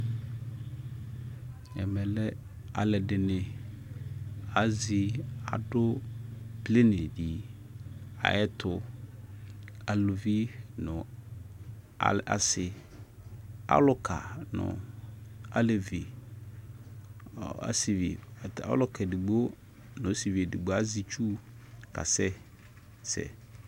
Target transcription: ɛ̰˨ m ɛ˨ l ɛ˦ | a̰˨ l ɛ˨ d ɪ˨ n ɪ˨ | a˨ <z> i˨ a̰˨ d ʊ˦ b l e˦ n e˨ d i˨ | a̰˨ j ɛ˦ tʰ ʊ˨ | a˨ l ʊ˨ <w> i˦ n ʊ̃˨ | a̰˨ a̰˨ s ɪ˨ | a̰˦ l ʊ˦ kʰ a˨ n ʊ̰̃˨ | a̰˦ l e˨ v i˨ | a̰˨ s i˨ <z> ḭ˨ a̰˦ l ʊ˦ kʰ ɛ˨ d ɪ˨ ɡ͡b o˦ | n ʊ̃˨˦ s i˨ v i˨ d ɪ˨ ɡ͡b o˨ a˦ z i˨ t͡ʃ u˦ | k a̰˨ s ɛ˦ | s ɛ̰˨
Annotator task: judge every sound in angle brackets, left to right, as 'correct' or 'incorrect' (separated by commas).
correct, incorrect, incorrect